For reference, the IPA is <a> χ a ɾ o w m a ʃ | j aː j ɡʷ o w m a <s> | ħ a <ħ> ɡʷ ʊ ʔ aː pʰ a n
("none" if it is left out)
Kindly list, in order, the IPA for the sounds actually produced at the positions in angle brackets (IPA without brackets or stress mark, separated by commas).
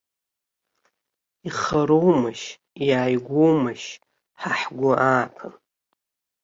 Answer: i, ʃ, ħ